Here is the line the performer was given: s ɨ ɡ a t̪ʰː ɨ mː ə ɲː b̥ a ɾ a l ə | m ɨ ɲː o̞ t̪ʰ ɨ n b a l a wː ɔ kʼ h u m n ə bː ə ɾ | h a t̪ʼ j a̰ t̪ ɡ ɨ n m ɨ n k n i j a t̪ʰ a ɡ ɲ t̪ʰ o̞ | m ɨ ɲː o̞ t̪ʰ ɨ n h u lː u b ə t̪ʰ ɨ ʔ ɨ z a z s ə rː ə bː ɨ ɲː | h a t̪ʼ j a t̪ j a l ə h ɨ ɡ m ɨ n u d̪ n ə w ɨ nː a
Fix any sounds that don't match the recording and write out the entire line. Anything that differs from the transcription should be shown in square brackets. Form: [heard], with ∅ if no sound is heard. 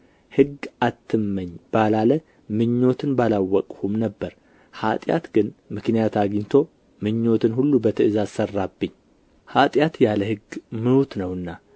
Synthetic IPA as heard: [h] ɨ ɡ a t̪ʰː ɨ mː ə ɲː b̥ a [l] a l ə | m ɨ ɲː o̞ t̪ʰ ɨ n b a l a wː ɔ kʼ h u m n ə bː ə ɾ | h a t̪ʼ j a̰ t̪ ɡ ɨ n m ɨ [∅] k n i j a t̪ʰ a ɡ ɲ t̪ʰ o̞ | m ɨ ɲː o̞ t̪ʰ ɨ n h u lː u b ə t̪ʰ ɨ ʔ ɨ z a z s ə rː [a] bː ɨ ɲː | h a t̪ʼ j a t̪ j a l ə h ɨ ɡ m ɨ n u [t̪] n ə w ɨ nː a